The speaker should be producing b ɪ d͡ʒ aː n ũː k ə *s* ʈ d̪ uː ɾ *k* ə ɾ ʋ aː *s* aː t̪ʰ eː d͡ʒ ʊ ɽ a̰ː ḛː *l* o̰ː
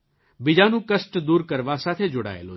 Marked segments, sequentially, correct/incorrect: correct, correct, correct, correct

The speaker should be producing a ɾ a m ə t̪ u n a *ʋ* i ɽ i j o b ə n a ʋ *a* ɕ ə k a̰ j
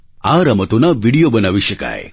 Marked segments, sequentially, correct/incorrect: correct, incorrect: i

